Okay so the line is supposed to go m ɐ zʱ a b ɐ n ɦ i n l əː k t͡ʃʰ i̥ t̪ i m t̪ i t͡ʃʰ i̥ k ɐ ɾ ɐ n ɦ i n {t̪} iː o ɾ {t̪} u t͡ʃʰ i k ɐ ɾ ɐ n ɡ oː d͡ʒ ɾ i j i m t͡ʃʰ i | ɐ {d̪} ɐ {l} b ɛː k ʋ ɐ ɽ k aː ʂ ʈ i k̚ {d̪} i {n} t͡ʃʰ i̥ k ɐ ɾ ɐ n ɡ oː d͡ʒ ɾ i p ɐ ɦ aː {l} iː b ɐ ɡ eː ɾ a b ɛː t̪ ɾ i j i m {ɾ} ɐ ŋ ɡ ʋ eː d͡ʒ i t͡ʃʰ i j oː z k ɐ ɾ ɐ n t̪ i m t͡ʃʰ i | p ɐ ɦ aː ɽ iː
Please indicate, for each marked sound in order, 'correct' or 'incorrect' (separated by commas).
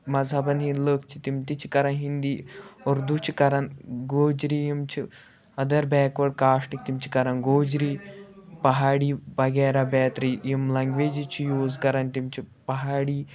incorrect, incorrect, correct, incorrect, incorrect, incorrect, incorrect, incorrect